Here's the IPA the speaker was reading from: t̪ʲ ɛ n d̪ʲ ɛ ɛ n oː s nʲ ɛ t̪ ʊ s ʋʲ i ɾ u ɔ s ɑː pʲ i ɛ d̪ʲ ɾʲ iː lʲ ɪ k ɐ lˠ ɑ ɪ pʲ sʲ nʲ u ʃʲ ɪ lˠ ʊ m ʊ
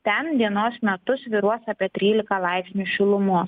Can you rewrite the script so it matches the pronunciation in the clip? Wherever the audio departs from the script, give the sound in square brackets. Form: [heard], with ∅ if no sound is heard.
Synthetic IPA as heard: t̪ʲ ɛ n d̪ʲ [i] ɛ n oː s [mʲ] ɛ t̪ ʊ s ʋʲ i ɾ u ɔ s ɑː pʲ i ɛ [t̪ʲ] ɾʲ iː lʲ ɪ k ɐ lˠ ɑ ɪ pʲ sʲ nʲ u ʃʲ ɪ lˠ ʊ m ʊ